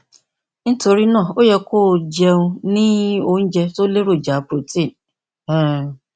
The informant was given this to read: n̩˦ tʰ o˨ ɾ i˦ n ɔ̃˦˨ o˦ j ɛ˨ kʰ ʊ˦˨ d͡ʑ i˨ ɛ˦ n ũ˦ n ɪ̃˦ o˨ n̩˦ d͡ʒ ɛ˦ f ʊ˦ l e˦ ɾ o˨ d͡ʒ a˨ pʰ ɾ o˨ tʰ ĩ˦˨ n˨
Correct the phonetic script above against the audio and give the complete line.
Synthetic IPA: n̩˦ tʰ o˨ ɾ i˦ n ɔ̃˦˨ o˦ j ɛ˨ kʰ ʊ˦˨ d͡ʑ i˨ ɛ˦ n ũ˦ n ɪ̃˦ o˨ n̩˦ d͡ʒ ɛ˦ s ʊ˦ l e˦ ɾ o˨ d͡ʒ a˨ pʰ ɾ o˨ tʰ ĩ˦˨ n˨